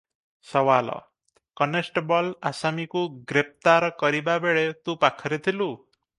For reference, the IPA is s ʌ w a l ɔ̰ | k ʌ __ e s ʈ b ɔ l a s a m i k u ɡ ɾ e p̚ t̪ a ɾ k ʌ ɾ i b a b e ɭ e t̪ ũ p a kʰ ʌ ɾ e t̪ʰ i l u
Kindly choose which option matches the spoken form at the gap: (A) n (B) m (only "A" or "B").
A